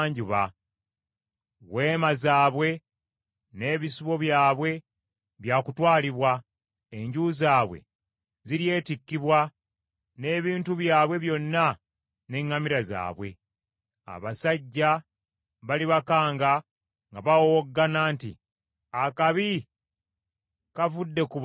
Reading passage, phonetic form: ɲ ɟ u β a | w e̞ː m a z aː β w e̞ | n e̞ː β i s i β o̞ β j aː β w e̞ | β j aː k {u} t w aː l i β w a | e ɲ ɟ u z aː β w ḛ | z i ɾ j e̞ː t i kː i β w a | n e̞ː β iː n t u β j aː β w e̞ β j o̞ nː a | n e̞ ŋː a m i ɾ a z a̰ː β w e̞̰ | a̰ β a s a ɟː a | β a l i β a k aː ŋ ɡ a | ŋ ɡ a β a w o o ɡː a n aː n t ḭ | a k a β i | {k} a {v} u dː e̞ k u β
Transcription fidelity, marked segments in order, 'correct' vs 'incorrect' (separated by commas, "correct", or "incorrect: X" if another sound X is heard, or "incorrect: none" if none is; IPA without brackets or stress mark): correct, correct, correct